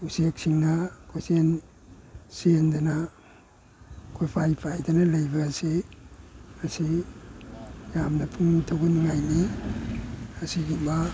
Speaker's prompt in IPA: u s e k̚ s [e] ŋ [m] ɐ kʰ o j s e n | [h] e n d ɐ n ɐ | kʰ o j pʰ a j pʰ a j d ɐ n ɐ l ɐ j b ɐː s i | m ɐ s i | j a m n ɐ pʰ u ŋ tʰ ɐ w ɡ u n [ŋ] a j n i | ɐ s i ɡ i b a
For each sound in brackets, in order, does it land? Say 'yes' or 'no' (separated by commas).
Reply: no, no, no, yes